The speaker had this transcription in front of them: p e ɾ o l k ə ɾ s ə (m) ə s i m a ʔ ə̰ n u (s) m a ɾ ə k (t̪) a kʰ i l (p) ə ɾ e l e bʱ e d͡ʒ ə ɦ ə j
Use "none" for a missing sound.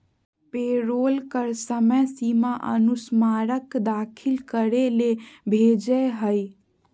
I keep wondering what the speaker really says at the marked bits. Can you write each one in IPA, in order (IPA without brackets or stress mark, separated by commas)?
m, s, d̪, k